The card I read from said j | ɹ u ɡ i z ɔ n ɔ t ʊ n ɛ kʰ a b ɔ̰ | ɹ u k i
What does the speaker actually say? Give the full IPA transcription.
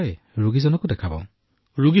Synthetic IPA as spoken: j | ɹ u ɡ i z ɔ n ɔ k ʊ d ɛ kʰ a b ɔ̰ | ɹ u ɡ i